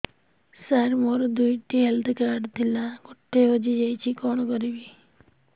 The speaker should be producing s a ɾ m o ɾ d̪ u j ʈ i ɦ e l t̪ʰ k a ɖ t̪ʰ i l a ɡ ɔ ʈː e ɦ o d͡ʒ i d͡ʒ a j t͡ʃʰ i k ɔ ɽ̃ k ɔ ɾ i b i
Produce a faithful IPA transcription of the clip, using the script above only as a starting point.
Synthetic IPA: s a ɾ m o ɾ d̪ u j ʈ i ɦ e l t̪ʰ k a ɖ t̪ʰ i l a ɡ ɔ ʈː e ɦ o d͡ʒ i d͡ʒ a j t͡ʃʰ i k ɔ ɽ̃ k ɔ ɾ i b i